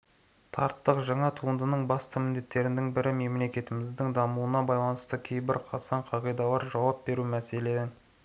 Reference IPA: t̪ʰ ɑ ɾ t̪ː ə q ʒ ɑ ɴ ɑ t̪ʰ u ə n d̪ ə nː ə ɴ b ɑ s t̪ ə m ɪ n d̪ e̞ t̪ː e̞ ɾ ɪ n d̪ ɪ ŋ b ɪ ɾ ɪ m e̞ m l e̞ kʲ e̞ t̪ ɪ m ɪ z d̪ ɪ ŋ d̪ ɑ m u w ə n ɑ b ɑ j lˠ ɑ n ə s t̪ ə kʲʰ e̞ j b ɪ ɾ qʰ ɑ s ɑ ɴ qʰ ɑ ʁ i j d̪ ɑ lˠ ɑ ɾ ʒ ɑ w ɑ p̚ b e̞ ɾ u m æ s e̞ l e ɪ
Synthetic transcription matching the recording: t̪ʰ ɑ ɾ t̪ː ə q ʒ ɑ ɴ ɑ t̪ʰ u ə n d̪ ə n ə ɴ b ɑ s t̪ ə m ɪ n d̪ e̞ t̪ː e̞ ɾ ɪ n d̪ ɪ ŋ b ɪ ɾ ɪ m e̞ m l e̞ kʲ e̞ t̪ ɪ m ɪ z d̪ ɪ ŋ d̪ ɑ m u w ə n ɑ b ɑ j lˠ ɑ n ə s t̪ ə kʲʰ e̞ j b ɪ ɾ qʰ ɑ s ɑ ɴ qʰ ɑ ʁ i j d̪ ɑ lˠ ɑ ɾ ʒ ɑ w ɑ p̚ b e̞ ɾ u m æ s e̞ l e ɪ